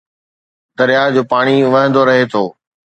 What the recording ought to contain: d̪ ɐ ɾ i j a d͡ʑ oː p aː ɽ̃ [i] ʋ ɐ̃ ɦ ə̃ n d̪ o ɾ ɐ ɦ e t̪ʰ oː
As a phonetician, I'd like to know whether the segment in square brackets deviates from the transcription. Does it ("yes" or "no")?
no